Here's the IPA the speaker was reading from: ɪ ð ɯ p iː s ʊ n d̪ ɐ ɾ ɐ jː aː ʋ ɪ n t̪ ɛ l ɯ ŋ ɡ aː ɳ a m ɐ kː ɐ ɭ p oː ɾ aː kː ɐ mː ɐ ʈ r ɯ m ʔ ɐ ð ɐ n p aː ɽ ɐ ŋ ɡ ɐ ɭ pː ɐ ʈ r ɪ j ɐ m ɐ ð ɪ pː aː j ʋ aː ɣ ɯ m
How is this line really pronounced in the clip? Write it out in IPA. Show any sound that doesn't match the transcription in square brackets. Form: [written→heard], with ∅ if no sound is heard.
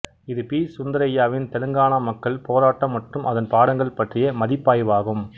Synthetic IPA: ɪ ð ɯ p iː s ʊ n d̪ ɐ ɾ ɐ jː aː ʋ ɪ n t̪ ɛ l ɯ ŋ ɡ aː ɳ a m ɐ kː ɐ ɭ p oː ɾ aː [kː→ʈː] ɐ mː ɐ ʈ r ɯ m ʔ ɐ ð ɐ n p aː ɽ ɐ ŋ ɡ ɐ ɭ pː ɐ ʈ r ɪ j ɐ m ɐ ð ɪ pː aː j ʋ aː ɣ ɯ m